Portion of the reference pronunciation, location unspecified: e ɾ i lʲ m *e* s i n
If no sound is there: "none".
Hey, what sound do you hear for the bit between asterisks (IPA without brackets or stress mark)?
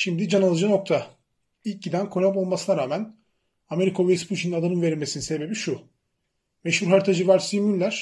e